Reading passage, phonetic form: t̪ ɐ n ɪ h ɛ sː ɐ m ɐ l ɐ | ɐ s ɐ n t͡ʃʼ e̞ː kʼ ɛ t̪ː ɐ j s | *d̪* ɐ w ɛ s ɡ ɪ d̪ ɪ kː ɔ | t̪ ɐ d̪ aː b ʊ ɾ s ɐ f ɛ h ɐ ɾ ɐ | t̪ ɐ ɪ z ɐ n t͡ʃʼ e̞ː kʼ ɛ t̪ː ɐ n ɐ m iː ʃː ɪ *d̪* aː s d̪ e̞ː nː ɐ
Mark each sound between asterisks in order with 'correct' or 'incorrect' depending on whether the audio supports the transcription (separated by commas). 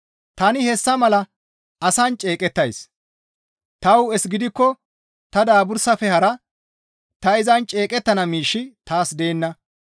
incorrect, incorrect